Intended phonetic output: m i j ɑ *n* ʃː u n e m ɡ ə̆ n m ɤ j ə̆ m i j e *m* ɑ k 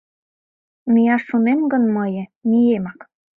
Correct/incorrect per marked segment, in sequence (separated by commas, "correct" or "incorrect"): incorrect, correct